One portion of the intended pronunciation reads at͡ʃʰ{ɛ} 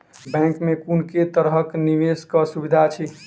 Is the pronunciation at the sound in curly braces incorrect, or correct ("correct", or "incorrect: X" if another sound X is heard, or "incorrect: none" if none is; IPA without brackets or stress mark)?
incorrect: i